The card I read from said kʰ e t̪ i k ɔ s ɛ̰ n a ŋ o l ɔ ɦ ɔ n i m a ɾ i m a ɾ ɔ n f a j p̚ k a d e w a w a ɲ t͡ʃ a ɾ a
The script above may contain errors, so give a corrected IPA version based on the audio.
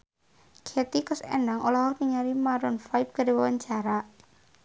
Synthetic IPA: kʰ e t̪ i k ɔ s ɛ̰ n a ŋ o l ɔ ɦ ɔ n i ŋ a ɾ i m a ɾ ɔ n f a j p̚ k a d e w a w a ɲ t͡ʃ a ɾ a